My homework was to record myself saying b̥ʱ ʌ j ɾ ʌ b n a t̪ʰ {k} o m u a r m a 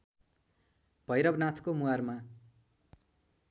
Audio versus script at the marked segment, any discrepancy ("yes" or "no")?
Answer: no